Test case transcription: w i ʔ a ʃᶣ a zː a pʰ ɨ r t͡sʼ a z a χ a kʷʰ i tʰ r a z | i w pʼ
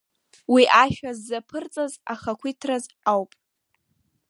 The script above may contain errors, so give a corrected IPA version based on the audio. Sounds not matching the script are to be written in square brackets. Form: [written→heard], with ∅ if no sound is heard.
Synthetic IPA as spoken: w i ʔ a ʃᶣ a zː a pʰ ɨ r t͡sʼ a z a χ a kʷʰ i tʰ r a z | [i→a] w pʼ